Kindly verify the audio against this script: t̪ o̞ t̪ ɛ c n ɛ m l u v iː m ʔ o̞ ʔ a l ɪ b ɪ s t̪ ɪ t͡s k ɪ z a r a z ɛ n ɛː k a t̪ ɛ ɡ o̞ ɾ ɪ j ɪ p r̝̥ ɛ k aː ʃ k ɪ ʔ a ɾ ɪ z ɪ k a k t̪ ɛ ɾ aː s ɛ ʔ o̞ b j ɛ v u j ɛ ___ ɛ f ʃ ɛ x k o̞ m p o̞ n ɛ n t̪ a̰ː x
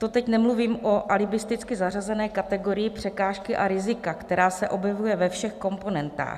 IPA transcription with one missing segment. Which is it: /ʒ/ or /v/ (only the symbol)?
v